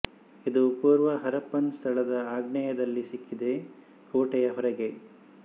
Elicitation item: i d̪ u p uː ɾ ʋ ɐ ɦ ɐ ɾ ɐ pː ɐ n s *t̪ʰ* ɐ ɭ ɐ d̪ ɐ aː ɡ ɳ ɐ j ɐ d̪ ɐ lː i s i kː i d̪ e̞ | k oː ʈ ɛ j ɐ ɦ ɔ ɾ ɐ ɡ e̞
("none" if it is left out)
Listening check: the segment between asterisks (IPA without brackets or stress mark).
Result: t̪ʰ